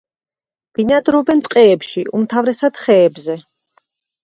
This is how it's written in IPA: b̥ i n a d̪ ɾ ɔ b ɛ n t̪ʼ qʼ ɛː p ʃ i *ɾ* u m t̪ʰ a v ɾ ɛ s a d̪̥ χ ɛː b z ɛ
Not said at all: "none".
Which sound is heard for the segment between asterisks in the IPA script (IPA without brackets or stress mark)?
none